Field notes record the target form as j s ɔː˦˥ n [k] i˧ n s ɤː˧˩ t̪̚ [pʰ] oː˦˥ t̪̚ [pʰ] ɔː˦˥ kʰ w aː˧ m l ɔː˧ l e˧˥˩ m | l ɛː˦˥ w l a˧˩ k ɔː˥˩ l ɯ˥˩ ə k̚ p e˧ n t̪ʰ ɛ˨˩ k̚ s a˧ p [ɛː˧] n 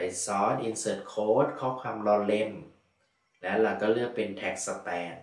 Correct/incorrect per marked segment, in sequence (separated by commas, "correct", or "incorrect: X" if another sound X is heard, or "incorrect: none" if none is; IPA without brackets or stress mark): incorrect: ʔ, incorrect: kʰ, incorrect: kʰ, correct